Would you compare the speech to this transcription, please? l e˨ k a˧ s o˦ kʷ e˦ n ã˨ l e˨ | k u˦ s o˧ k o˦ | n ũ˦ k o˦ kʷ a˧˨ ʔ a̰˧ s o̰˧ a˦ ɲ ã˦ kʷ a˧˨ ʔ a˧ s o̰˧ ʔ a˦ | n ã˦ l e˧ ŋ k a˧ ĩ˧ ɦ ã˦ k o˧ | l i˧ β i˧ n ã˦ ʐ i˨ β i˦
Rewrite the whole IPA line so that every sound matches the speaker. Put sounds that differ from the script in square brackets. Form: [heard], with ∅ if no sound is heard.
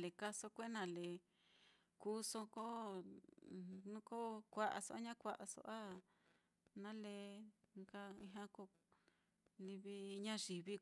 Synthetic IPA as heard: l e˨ k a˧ s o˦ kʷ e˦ n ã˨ l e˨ | k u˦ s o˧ k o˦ | n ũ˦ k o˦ kʷ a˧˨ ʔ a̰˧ s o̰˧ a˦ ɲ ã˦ kʷ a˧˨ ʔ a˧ s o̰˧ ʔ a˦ | n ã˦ l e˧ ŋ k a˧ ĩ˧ ɦ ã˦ k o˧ | l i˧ β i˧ [ɲ] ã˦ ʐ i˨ β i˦